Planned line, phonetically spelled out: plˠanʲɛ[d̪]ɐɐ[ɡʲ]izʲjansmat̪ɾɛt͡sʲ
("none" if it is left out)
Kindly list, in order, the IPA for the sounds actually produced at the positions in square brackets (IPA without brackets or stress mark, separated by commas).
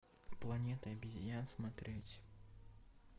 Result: t̪, bʲ